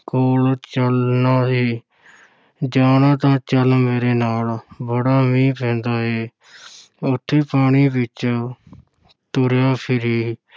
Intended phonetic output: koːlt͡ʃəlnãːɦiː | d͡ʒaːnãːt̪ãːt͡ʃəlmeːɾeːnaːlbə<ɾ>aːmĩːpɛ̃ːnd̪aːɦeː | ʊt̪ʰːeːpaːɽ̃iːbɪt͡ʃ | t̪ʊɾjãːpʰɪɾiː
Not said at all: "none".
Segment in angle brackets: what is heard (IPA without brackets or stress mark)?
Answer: ɽ